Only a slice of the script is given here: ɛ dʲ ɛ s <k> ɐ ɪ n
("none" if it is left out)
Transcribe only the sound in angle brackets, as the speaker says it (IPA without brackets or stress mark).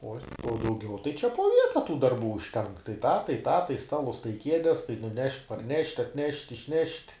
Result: t